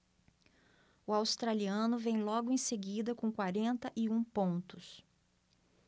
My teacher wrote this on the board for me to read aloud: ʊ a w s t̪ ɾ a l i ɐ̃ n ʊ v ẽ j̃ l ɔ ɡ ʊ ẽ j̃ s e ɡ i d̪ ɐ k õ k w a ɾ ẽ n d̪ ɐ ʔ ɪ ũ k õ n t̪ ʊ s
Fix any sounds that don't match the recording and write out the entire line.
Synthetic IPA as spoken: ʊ a w s t̪ ɾ a l i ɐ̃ n ʊ v ẽ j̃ l ɔ ɡ ʊ ẽ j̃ s e ɡ i d̪ ɐ k õ k w a ɾ ẽ n t̪ ɐ ʔ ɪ ũ p õ n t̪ ʊ s